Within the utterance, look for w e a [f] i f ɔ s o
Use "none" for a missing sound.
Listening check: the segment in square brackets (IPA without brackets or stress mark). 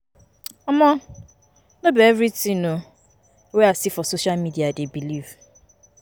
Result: s